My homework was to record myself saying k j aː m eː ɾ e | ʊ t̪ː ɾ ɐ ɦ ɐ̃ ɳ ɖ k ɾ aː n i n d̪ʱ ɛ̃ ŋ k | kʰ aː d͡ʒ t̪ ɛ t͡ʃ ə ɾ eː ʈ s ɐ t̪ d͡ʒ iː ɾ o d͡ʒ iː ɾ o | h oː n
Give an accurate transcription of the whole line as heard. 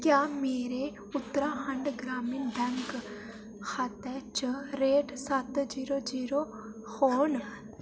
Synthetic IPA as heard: k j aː m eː ɾ e | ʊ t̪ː ɾ a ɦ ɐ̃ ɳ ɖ ɡ ɾ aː m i n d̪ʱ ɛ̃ ŋ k | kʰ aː t̪ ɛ t͡ʃ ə ɾ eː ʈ s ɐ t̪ d͡ʒ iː ɾ o d͡ʒ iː ɾ o | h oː n